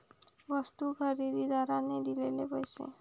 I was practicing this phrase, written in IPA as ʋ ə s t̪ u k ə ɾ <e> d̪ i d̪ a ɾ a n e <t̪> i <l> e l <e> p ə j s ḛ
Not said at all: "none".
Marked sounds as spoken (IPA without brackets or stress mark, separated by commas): i, d̪, l, e